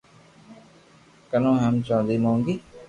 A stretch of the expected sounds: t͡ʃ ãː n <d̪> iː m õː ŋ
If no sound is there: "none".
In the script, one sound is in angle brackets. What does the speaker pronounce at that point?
d̪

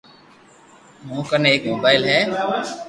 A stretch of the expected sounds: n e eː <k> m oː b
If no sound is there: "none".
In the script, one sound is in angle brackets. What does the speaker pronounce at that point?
k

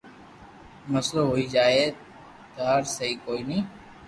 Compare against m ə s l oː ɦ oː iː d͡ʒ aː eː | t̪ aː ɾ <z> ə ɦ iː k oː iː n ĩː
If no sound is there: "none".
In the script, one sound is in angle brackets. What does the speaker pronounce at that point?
s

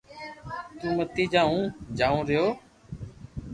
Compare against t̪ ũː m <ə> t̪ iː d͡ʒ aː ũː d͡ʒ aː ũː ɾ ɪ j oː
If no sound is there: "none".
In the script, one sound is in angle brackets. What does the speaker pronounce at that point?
ə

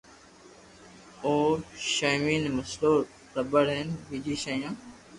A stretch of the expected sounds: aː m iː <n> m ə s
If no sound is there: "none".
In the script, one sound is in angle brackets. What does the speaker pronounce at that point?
n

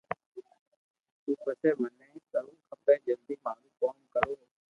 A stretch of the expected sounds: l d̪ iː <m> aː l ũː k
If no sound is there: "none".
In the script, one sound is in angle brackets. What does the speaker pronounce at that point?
m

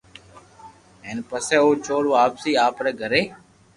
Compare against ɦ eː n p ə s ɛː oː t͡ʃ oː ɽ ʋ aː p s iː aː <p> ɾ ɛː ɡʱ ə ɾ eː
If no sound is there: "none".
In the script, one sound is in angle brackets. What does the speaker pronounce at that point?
p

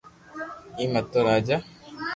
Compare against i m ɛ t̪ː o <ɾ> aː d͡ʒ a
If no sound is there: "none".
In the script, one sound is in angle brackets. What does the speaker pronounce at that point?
ɾ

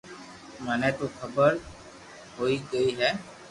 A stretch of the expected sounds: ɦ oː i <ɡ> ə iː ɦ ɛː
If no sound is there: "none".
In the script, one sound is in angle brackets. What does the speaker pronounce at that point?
ɡ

